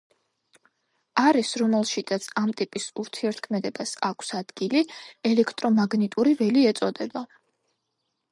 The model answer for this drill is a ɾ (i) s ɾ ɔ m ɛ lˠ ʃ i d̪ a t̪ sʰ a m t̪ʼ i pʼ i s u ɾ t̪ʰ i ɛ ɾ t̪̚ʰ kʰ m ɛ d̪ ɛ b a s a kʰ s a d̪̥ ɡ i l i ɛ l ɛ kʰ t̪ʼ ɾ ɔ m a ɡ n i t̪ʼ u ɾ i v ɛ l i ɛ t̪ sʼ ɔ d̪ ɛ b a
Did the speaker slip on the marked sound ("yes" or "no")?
no